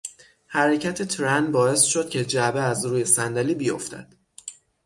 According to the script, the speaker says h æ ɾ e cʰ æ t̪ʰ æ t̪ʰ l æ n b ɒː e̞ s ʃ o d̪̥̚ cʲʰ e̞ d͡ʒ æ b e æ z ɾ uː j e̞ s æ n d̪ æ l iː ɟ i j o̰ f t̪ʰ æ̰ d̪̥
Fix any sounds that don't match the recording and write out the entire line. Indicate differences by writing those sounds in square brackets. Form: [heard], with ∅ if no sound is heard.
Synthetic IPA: h æ ɾ e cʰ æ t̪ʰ [e] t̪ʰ [ɾ] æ n b ɒː e̞ s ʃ o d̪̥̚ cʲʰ e̞ d͡ʒ æ b e æ z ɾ uː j e̞ s æ n d̪ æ l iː [b] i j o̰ f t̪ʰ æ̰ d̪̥